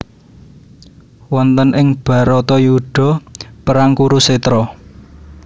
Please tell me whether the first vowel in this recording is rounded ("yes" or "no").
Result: yes